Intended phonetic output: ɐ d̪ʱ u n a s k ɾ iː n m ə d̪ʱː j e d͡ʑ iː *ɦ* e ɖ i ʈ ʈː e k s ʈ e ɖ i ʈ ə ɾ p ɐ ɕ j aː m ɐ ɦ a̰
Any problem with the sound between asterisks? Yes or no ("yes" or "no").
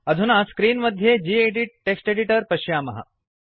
yes